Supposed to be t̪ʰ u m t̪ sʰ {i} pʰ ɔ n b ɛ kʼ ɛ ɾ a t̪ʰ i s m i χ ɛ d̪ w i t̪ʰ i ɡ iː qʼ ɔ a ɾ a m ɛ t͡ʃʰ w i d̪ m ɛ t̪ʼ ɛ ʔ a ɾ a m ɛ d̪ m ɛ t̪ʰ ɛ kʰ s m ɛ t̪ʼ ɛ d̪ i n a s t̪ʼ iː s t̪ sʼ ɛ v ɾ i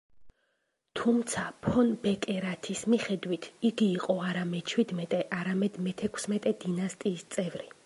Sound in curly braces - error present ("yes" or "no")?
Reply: yes